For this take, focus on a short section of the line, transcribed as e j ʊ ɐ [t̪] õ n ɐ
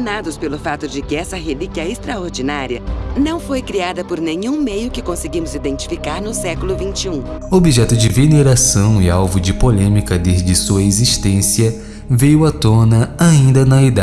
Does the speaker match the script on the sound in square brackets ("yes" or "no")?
yes